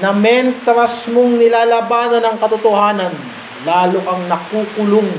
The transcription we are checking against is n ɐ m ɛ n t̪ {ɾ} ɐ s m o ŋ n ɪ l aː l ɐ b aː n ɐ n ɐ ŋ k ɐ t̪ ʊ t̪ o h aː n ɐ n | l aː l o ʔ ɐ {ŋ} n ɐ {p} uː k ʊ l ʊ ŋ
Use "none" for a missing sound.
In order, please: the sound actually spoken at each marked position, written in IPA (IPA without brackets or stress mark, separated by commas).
ɾ, ŋ, k